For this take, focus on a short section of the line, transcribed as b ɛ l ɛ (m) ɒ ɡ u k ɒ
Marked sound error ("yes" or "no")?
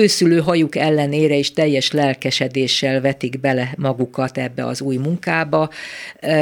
no